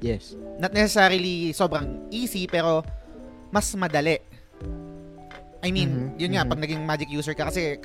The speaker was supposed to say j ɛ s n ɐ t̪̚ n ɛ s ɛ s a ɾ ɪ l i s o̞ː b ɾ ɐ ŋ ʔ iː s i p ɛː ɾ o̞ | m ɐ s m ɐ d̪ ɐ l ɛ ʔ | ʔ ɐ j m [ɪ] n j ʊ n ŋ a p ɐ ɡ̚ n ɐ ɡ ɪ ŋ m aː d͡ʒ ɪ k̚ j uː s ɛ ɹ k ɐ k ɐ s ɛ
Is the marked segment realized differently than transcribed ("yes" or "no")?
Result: yes